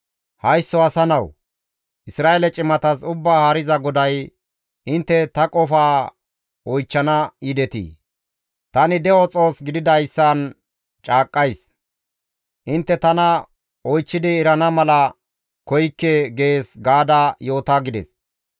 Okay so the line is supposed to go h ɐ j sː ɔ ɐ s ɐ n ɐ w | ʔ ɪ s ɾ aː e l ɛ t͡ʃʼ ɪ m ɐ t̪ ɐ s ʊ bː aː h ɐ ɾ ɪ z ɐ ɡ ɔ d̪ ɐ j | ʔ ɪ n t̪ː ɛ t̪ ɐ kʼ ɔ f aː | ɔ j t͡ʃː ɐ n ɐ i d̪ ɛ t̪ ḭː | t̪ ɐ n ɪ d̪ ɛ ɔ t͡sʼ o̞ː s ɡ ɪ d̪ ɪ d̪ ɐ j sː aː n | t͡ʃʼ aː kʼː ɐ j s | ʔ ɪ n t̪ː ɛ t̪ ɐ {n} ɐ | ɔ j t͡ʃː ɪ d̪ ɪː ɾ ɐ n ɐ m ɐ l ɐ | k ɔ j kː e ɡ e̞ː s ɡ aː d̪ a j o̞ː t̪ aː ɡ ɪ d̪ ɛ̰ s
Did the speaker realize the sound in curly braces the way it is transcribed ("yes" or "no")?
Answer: yes